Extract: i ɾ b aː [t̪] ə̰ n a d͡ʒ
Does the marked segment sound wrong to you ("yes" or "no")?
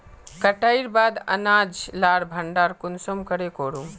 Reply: yes